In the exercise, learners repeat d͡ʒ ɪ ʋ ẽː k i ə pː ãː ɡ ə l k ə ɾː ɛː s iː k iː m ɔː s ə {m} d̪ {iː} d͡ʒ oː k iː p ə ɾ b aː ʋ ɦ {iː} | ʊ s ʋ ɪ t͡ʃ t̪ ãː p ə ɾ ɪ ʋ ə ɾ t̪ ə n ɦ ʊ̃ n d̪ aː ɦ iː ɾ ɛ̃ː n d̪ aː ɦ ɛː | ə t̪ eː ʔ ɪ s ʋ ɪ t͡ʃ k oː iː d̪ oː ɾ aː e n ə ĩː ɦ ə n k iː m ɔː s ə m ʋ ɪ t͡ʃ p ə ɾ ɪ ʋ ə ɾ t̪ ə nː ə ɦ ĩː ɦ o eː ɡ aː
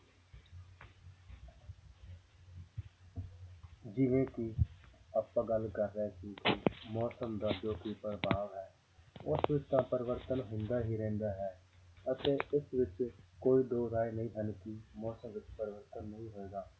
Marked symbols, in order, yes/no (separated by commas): yes, no, no